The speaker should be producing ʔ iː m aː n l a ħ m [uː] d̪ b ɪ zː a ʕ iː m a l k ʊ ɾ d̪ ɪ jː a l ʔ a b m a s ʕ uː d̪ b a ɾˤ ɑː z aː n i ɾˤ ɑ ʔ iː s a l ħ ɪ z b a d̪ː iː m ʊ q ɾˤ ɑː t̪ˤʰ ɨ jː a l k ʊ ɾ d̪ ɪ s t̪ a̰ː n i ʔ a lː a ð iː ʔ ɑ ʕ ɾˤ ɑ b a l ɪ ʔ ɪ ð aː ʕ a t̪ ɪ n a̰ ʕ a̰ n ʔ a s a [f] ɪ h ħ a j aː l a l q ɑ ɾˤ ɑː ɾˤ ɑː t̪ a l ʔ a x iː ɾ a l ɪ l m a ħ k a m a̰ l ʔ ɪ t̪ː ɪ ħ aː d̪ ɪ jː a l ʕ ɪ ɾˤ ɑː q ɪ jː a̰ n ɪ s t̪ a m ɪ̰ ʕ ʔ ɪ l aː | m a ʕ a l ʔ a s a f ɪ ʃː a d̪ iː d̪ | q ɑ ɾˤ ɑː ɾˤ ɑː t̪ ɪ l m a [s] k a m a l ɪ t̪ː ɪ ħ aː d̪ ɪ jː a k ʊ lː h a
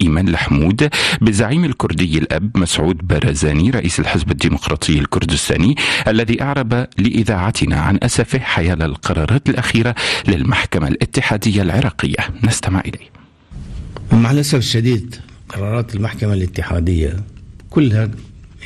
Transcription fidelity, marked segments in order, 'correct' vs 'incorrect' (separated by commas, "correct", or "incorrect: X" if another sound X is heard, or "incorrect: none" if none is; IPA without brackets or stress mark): correct, correct, incorrect: ħ